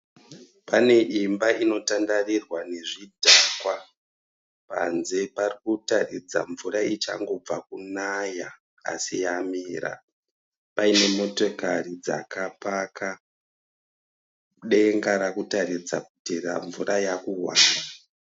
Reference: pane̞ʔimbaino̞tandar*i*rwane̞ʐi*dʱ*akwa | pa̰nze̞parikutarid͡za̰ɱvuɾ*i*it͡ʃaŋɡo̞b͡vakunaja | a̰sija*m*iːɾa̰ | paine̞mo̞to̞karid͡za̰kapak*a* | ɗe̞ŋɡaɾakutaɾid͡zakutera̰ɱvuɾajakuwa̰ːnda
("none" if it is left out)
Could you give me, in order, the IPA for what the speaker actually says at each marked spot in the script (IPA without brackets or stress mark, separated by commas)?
i, dʱ, a, m, a